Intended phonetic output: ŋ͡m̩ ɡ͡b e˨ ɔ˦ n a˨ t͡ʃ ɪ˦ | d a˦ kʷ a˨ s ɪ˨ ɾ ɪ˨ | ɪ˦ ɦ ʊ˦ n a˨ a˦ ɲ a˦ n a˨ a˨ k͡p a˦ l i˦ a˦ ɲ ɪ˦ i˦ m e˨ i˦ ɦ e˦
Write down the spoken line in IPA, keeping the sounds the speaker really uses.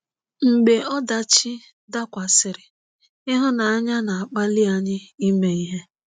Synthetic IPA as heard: ŋ͡m̩ ɡ͡b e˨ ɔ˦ d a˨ t͡ʃ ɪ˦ | d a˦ kʷ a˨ s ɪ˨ ɾ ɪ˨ | ɪ˦ ɦ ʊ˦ n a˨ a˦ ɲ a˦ n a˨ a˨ k͡p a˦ l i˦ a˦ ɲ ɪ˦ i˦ m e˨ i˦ ɦ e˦